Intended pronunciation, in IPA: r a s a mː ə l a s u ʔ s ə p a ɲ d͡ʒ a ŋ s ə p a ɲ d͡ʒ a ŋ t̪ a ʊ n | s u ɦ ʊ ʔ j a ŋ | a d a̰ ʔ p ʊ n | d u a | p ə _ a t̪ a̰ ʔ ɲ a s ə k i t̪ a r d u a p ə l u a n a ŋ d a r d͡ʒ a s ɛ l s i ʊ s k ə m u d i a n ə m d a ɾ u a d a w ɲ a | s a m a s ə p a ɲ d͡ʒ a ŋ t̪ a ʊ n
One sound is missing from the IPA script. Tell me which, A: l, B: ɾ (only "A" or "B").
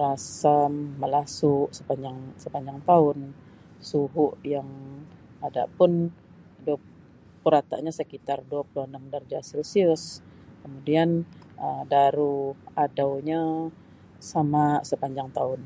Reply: B